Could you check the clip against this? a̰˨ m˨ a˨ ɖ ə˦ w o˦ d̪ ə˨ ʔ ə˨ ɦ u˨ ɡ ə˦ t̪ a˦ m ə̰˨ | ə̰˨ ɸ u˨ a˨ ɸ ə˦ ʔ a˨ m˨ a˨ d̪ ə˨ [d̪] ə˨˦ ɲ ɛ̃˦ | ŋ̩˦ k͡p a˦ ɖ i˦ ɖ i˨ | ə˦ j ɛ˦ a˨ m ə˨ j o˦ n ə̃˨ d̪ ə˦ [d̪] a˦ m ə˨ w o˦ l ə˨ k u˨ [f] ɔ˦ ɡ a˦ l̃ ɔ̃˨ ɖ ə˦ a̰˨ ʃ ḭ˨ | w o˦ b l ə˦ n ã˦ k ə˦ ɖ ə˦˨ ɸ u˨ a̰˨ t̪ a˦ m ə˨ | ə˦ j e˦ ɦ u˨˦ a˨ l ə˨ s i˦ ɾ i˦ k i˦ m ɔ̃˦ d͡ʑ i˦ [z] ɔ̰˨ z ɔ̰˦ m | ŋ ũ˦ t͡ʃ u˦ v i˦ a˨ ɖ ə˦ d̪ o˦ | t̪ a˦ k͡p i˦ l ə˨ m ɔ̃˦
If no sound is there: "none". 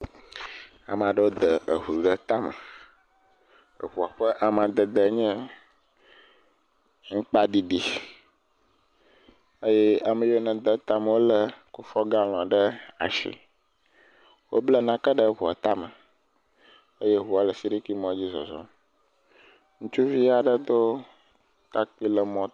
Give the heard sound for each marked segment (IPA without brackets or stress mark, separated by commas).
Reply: d̪, t̪, f, z